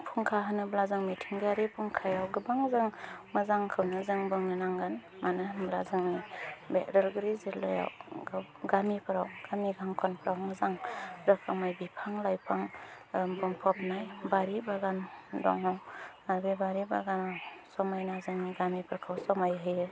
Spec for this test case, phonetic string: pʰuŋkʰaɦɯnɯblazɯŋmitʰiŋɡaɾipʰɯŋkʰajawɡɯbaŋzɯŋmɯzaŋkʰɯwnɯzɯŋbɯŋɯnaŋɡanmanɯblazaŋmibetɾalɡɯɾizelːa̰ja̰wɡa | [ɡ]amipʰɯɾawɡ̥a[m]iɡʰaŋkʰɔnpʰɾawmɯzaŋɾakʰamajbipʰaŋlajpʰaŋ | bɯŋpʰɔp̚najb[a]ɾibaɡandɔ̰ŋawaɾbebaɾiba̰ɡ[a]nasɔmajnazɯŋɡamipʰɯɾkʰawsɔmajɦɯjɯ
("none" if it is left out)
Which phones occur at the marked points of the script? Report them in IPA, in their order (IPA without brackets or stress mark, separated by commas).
ɡ, m, a, a